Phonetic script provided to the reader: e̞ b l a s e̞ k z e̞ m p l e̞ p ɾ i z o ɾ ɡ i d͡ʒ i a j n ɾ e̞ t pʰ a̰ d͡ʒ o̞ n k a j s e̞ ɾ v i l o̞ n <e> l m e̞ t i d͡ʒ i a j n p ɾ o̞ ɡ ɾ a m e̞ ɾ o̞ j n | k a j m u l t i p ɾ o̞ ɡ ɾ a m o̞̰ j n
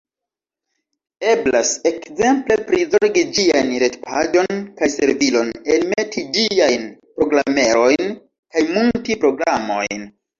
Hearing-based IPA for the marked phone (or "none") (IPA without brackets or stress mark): e